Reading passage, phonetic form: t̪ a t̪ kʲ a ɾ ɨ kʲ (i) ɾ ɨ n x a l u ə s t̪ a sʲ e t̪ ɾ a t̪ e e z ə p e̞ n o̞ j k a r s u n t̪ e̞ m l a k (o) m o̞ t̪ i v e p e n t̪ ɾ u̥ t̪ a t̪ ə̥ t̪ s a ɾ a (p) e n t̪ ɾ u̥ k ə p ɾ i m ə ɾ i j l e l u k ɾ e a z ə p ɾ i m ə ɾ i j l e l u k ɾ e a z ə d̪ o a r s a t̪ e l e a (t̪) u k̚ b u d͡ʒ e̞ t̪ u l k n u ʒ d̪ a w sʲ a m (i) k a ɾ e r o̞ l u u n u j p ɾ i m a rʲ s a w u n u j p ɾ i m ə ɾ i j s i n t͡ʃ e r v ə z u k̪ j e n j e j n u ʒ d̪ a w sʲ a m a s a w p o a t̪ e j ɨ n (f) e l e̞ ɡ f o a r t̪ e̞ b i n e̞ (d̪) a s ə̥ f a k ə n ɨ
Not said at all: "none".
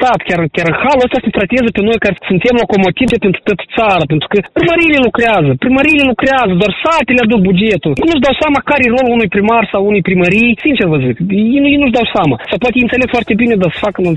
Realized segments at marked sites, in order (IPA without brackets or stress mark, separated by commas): a, o, p, d̪, a, s, d̪